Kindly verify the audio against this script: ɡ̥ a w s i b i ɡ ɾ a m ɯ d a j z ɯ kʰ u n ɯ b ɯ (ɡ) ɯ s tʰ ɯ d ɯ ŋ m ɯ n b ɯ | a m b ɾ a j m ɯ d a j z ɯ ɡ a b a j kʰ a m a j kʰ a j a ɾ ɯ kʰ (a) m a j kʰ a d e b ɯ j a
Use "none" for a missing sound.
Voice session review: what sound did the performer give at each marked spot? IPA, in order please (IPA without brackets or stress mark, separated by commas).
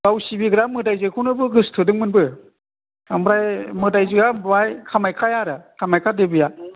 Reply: ɡ, a